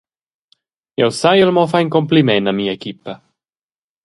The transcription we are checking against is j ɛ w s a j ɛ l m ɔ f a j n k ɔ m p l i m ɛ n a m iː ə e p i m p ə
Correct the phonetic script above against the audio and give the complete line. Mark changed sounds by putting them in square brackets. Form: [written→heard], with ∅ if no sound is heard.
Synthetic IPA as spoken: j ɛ w s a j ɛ l m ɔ f a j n k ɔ m p l i m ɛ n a m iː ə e [p→k] i [m→∅] p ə